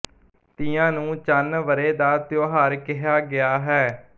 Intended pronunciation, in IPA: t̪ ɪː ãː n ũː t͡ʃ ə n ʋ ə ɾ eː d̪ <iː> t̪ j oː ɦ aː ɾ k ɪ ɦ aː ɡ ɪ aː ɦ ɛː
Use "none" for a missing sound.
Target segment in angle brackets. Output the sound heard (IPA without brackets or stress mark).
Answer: aː